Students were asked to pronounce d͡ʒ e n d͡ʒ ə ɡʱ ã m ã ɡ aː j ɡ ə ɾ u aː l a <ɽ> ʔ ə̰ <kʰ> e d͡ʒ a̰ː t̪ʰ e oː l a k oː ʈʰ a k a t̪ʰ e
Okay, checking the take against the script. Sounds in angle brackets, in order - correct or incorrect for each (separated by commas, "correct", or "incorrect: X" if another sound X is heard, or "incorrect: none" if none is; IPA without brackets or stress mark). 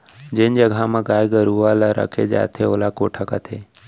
incorrect: ɾ, correct